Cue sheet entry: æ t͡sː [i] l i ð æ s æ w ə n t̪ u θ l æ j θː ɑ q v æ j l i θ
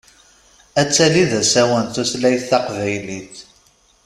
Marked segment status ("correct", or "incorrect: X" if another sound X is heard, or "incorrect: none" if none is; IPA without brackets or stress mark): incorrect: æ